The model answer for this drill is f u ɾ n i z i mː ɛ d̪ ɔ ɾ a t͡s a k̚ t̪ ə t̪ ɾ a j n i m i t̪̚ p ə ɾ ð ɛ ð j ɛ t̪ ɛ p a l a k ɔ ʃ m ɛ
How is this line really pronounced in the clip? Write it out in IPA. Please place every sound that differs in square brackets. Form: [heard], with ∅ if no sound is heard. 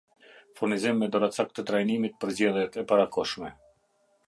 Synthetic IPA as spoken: f u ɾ n i z i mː ɛ d̪ ɔ ɾ a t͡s a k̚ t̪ ə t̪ ɾ a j n i m i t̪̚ p ə ɾ [z] ɛ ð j ɛ t̪ ɛ p a [ɾ] a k ɔ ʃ m ɛ